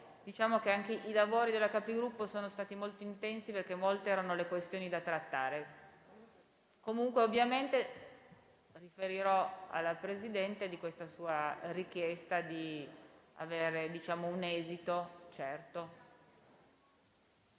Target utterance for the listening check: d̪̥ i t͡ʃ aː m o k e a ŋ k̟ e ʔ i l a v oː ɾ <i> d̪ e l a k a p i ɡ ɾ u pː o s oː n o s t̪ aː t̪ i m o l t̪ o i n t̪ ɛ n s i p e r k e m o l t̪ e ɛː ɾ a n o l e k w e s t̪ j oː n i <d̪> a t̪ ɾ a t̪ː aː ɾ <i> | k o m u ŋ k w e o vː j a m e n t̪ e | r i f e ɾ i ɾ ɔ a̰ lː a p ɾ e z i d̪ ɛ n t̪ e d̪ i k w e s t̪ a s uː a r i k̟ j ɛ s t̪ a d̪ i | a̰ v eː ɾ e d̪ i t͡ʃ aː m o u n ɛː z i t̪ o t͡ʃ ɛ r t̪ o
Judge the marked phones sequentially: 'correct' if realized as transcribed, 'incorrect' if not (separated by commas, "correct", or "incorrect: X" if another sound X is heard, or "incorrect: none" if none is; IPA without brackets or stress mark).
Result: correct, correct, incorrect: e